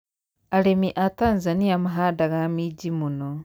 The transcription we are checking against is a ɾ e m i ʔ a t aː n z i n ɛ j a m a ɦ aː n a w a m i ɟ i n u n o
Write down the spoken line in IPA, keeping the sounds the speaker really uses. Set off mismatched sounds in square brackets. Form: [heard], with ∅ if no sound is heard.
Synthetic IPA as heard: a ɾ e m i ʔ a t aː n z [a] n [i] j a m a ɦ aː [d] a [ɣ] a m i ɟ i [m] u n o